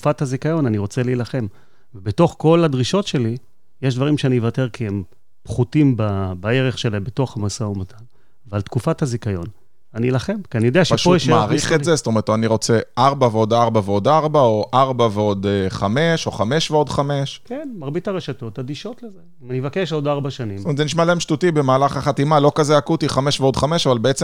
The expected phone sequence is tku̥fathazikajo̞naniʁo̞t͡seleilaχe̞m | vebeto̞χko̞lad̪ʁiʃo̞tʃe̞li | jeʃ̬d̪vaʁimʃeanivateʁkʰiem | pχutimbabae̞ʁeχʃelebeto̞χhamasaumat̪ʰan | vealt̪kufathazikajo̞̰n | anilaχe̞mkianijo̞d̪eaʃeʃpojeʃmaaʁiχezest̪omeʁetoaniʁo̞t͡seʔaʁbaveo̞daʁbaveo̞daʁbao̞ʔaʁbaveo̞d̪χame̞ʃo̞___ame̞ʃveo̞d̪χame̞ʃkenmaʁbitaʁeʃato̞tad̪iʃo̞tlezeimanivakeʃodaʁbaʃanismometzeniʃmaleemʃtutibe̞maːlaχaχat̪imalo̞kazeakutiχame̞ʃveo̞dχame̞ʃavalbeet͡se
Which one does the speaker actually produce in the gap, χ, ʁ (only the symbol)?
χ